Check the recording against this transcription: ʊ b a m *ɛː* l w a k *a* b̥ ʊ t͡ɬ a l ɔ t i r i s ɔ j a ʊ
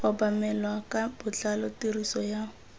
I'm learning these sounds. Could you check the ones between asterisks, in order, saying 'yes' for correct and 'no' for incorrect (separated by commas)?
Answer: no, yes